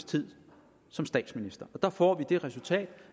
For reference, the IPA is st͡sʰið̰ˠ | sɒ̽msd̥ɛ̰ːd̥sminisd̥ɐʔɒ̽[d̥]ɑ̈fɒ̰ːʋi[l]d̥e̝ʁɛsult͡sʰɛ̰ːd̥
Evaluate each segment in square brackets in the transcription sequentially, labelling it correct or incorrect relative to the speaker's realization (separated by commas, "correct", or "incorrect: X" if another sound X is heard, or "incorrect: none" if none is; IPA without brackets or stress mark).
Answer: correct, incorrect: none